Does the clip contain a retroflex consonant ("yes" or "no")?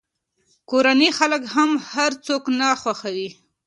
no